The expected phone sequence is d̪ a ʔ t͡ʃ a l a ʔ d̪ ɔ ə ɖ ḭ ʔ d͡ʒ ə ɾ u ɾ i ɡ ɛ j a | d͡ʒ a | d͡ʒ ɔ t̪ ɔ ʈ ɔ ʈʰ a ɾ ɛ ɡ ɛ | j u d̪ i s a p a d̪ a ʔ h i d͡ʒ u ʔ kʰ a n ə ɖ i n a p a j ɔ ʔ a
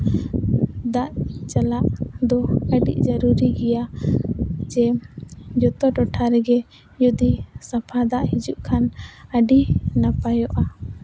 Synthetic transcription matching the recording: d̪ a ʔ t͡ʃ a l a ʔ d̪ ɔ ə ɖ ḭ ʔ d͡ʒ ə ɾ u ɾ i ɡ ɛ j a | d͡ʒ ɛ | d͡ʒ ɔ t̪ ɔ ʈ ɔ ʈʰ a ɾ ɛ ɡ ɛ | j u d̪ i s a pʰ a d̪ a ʔ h i d͡ʒ u ʔ kʰ a n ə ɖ i n a p a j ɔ ʔ a